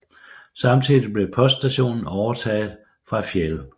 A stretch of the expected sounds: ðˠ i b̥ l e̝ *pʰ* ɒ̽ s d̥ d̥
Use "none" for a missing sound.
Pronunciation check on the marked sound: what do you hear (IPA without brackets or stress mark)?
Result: pʰ